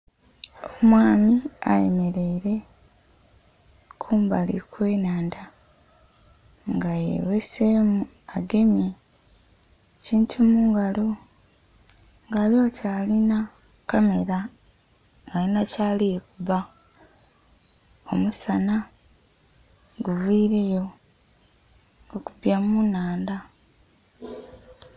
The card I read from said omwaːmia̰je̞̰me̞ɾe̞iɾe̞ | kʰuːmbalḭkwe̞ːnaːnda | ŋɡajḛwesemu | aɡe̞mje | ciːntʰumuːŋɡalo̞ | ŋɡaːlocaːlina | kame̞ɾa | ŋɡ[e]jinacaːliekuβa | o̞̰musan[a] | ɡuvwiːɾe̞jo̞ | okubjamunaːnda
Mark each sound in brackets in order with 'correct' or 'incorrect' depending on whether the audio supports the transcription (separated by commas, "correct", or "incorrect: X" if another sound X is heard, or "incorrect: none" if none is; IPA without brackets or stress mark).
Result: incorrect: a, correct